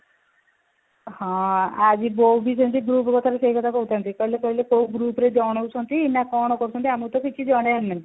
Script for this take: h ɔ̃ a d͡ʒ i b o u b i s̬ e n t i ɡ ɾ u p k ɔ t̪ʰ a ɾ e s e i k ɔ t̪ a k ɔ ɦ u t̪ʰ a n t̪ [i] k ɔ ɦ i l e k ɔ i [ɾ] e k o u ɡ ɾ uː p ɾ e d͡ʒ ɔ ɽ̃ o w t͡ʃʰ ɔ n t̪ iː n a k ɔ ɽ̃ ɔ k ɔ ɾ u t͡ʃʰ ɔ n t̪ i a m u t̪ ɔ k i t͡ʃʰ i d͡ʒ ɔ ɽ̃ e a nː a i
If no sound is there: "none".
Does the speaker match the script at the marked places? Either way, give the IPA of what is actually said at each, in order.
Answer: i, l

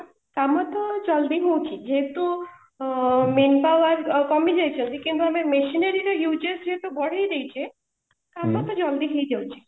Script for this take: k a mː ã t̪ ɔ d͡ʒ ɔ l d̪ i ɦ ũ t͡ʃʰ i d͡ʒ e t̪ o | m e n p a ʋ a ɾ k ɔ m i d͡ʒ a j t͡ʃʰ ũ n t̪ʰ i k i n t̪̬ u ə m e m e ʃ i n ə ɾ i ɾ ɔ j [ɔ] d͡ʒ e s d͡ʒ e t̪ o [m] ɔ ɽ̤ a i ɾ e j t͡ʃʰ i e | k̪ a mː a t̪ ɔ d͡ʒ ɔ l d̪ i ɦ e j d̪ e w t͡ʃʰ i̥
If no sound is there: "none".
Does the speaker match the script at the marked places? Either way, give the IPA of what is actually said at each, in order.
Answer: u, b

